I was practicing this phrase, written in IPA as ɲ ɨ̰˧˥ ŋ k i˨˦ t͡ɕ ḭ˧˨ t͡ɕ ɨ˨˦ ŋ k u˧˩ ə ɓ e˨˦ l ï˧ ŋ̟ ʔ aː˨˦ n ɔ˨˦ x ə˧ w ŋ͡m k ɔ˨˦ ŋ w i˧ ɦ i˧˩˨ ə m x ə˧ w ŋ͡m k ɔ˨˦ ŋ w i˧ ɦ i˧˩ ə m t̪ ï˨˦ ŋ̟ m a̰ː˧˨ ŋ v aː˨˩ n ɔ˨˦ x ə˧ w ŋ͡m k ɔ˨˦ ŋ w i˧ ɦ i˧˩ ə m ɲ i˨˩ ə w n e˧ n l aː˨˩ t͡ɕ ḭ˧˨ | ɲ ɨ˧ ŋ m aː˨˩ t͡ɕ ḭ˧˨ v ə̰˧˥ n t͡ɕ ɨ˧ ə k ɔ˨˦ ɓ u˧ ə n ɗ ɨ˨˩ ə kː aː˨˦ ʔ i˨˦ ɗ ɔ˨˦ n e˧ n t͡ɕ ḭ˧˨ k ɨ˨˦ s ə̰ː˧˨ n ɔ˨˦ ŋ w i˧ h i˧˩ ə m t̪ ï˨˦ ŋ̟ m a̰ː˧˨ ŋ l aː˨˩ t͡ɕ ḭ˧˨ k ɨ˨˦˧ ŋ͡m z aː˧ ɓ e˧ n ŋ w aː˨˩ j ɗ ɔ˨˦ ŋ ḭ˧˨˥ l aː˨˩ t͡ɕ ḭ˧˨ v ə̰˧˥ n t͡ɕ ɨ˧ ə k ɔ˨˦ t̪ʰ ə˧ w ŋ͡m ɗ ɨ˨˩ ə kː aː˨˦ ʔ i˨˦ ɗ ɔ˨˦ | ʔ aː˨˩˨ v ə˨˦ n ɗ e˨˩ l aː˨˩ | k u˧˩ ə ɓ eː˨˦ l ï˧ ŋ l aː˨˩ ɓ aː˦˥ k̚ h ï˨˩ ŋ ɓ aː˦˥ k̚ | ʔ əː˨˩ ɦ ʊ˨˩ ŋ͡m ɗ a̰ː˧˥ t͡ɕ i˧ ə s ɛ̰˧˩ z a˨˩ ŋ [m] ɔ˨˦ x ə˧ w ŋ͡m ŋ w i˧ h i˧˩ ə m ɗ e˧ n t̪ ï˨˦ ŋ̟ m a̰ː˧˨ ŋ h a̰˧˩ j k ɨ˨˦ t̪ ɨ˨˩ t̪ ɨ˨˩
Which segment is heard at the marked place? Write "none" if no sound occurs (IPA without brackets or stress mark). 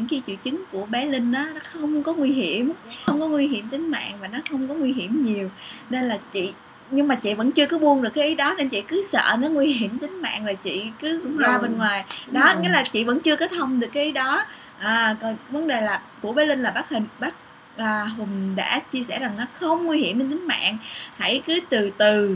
n